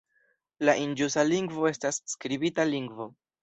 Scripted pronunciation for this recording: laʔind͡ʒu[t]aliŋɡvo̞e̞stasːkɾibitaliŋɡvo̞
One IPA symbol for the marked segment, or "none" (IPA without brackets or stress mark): s